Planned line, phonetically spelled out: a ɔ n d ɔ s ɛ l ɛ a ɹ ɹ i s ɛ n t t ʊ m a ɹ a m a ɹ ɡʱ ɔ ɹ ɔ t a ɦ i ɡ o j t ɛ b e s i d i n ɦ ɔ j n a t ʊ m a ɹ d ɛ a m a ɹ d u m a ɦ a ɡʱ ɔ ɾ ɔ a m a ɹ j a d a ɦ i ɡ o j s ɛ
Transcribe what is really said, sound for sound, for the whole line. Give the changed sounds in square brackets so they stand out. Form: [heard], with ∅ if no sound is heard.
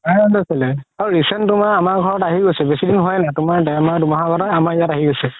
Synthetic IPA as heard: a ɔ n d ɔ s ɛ l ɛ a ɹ ɹ i s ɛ n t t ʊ m a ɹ a m a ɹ ɡʱ ɔ ɹ ɔ t a ɦ i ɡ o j [s] ɛ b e s i d i n ɦ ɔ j n a t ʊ m a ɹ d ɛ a m a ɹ d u m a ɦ a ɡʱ ɔ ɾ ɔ a m a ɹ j a [t] a ɦ i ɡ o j s ɛ